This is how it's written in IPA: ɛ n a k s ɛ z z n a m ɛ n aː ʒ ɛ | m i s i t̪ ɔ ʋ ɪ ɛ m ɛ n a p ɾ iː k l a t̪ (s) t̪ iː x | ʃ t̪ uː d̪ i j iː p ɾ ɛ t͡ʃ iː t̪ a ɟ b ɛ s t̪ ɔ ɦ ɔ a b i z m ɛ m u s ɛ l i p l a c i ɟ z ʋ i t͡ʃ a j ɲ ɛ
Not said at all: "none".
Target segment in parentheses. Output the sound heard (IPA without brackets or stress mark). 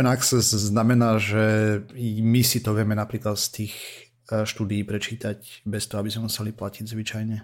s